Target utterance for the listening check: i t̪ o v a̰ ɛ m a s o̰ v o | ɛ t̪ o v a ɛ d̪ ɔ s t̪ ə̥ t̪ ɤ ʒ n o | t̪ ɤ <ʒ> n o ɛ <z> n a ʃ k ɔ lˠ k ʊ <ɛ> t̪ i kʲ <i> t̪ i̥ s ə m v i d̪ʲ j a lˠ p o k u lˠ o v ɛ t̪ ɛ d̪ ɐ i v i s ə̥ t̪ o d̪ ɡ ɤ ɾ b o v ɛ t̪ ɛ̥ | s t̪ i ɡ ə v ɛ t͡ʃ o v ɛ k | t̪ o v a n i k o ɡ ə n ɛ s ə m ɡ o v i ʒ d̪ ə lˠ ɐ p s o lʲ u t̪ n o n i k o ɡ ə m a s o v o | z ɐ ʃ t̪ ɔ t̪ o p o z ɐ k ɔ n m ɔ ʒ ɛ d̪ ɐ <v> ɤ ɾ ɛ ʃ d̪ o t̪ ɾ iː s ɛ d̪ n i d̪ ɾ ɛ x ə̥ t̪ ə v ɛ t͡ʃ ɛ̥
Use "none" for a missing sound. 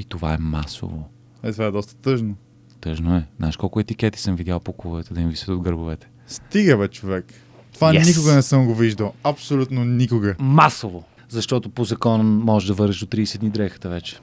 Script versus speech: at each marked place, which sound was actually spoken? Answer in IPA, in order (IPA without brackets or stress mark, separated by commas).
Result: ʒ, z, ɛ, ɛ, v